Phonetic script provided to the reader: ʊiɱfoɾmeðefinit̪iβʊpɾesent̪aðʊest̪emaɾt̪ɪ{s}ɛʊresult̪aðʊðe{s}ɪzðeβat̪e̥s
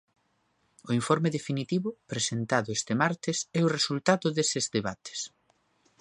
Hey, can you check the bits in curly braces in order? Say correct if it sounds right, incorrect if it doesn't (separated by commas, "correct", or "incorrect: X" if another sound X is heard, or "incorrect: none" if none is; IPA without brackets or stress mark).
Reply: correct, correct